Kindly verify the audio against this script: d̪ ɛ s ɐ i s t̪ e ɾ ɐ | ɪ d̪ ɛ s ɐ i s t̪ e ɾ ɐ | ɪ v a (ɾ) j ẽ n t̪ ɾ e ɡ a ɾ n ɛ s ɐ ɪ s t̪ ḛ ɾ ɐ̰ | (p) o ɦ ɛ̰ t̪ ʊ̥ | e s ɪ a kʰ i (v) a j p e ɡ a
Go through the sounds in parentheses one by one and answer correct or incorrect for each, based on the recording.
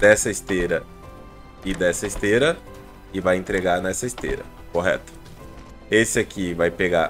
incorrect, incorrect, correct

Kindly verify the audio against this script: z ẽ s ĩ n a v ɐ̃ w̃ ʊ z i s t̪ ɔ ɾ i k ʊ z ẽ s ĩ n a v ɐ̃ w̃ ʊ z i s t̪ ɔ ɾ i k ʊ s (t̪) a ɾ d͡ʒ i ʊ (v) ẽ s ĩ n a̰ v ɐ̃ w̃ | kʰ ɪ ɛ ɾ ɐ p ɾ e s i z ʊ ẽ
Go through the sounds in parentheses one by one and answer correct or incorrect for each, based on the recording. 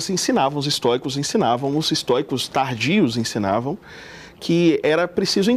correct, incorrect

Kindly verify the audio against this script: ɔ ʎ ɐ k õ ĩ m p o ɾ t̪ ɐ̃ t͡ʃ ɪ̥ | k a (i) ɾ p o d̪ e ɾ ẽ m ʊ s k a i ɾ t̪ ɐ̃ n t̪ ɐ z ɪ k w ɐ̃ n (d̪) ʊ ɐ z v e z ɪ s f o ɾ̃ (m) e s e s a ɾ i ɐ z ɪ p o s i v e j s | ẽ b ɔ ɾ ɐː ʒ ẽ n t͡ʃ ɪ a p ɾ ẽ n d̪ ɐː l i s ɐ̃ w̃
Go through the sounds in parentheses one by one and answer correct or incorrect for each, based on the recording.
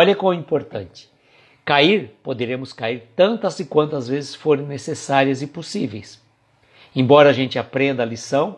correct, incorrect, incorrect

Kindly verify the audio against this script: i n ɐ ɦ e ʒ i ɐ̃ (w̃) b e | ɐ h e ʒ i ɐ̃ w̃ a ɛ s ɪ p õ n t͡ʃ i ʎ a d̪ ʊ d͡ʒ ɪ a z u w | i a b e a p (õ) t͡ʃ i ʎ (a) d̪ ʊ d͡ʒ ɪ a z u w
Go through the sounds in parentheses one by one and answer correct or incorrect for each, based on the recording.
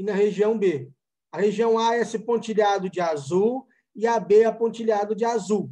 correct, correct, correct

